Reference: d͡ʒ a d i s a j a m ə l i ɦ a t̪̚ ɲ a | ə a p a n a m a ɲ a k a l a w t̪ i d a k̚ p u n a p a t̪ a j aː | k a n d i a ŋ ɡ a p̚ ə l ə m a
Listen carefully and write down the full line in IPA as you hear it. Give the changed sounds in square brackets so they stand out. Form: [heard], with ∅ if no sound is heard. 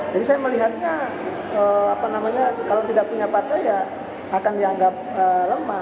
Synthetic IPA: d͡ʒ a d i s a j a m ə l i ɦ a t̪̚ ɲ a | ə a p a n a m a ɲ a k a l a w t̪ i d a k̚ p u [ɲ] a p a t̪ a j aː | k a n d i a ŋ ɡ a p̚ ə l ə m a